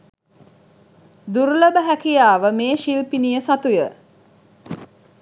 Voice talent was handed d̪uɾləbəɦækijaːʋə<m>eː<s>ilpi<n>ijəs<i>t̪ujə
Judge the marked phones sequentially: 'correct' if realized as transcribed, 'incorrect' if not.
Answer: correct, incorrect, correct, incorrect

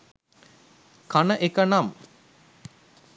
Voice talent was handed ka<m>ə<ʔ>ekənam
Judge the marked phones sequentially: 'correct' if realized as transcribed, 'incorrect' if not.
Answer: incorrect, correct

